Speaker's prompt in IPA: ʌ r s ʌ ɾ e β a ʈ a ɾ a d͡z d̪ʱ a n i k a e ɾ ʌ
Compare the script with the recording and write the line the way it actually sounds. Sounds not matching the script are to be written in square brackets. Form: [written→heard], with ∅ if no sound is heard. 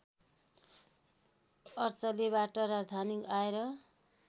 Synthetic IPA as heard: ʌ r [s→t͡s] ʌ [ɾ→l] e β a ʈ [a→ʌ] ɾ a d͡z d̪ʱ a n i k a e ɾ ʌ